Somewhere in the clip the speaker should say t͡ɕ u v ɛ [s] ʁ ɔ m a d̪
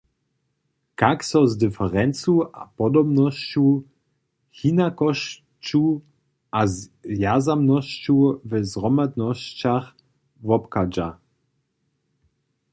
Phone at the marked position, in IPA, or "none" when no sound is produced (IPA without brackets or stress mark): z